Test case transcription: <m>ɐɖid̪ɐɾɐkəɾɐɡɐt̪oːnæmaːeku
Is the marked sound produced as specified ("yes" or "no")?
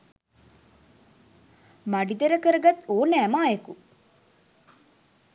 yes